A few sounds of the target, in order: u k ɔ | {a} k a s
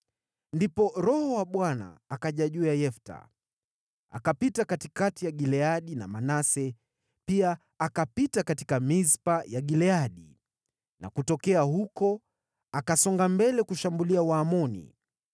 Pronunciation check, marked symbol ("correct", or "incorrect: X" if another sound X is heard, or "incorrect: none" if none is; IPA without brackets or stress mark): correct